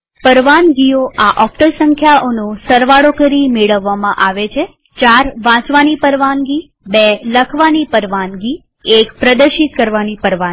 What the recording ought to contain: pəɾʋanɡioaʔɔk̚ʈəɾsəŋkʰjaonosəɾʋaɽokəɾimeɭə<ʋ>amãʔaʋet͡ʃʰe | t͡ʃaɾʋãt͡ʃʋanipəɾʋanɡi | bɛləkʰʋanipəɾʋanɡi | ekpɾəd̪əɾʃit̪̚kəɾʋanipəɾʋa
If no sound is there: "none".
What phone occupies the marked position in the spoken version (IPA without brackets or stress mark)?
ʋː